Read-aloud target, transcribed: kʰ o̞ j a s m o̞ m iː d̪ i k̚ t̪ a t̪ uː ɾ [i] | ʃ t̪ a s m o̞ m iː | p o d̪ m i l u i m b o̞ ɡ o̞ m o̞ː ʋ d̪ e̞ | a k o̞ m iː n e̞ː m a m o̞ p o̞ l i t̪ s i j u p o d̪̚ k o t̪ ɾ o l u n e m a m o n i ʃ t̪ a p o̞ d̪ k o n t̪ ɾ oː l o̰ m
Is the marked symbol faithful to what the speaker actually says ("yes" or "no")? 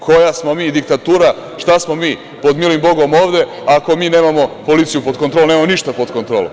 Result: no